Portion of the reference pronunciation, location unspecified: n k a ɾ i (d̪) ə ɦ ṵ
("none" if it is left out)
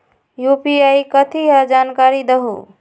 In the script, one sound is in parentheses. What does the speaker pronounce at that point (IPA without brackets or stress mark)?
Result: d̪